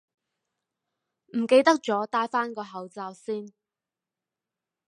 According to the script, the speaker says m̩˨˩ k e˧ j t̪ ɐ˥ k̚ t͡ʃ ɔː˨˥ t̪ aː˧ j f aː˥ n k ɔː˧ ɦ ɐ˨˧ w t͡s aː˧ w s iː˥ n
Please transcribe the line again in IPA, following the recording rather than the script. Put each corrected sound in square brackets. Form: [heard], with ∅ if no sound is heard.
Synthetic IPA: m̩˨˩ k e˧ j t̪ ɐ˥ k̚ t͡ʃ ɔː˨˥ t̪ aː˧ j f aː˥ n k ɔː˧ ɦ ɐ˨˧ w t͡s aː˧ w s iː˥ n